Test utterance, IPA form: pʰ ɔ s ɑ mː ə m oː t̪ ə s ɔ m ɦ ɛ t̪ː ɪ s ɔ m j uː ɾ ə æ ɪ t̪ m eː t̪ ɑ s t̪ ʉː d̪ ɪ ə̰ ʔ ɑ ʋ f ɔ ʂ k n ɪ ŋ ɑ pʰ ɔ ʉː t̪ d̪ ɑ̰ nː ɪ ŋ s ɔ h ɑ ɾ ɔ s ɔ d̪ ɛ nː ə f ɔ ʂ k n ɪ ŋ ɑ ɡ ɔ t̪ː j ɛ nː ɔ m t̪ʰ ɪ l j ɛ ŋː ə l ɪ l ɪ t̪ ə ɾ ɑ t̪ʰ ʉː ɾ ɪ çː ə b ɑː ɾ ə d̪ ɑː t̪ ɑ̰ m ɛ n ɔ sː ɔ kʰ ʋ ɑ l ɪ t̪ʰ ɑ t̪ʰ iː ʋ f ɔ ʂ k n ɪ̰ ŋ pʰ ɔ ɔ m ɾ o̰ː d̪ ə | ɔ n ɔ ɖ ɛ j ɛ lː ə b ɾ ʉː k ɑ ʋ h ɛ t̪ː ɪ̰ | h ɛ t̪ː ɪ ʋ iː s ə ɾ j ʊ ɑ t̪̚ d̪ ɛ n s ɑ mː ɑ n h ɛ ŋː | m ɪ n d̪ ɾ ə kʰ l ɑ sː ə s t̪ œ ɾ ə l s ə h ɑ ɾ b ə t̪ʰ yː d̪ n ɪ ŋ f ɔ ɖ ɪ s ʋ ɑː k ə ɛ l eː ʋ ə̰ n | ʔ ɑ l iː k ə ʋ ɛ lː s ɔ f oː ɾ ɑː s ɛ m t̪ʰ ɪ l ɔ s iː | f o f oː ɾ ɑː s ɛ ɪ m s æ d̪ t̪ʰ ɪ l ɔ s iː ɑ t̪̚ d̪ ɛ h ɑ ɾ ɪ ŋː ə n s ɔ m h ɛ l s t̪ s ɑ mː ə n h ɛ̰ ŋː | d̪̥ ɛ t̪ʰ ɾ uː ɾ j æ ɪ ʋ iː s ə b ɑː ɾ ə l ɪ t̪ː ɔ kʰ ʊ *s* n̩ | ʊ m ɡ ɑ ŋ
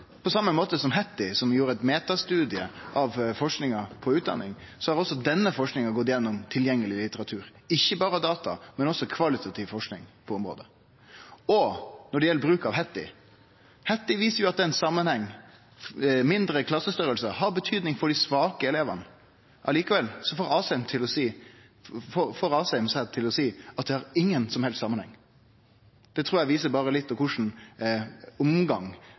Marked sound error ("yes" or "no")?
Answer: yes